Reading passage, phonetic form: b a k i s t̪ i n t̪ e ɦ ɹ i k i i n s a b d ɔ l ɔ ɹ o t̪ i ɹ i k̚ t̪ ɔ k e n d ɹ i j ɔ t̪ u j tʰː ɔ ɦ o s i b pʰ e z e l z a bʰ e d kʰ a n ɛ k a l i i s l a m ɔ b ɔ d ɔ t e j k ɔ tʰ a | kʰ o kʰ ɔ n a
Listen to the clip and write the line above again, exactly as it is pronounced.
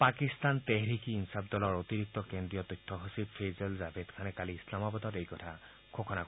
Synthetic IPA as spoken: p a k i s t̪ a n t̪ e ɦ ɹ i k i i n s a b d ɔ l ɔ ɹ o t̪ i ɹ i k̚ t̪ ɔ k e n d ɹ i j ɔ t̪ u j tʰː ɔ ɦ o s i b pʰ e z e l z a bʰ e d kʰ a n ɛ k a l i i s l a m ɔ b ɔ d ɔ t e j k ɔ tʰ a | kʰ o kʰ ɔ n a